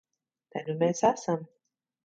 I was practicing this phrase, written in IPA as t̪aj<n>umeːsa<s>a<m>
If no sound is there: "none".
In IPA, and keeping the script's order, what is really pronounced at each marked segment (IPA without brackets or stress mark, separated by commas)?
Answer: n, s, m